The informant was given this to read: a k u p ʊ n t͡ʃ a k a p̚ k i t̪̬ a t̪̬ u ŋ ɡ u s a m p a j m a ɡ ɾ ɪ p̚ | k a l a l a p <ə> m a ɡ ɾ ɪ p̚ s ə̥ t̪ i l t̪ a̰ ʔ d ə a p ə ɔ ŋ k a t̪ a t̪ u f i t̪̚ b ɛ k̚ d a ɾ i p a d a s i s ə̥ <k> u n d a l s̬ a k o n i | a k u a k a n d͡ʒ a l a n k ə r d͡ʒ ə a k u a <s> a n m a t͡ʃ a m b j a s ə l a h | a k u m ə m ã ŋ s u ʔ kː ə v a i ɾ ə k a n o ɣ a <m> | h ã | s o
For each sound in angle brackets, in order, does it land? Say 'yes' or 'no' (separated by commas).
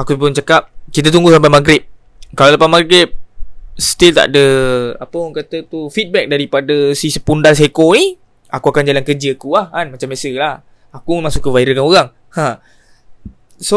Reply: no, no, no, no